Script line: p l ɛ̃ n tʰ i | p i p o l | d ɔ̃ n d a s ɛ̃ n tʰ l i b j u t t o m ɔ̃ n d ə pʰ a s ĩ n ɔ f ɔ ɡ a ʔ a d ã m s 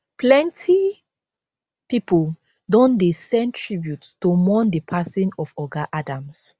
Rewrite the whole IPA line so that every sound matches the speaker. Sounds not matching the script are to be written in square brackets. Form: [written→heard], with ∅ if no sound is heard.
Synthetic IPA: p l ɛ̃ n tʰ i | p i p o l | d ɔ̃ n d [a→e] s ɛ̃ n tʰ [l→ɹ] i b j u t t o m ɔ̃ n d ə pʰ a s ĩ n ɔ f ɔ ɡ a ʔ a d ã m s